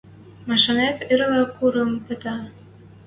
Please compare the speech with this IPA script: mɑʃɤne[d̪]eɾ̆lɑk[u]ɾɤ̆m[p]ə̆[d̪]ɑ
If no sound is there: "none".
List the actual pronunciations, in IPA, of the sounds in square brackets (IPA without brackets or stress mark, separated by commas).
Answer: t̪, u, p, t̪